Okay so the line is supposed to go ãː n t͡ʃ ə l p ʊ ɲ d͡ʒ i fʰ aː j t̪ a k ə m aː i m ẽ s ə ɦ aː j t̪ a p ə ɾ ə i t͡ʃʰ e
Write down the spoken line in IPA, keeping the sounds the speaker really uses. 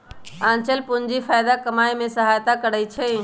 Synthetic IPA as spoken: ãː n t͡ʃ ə l p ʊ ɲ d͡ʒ i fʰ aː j d̪ a k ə m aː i m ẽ s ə ɦ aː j t̪ a k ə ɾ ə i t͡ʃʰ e